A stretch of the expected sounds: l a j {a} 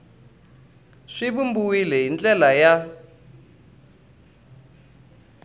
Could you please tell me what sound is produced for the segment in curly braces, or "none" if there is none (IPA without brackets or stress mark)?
a